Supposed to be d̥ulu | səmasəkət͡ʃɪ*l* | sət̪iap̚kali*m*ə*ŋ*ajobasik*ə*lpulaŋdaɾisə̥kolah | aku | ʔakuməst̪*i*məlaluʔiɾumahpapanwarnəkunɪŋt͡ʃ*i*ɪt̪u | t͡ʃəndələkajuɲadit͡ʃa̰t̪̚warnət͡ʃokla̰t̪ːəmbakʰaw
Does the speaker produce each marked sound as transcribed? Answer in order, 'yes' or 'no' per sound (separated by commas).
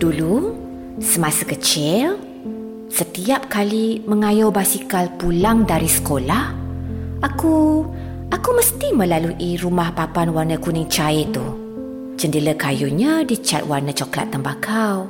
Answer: yes, yes, yes, no, yes, no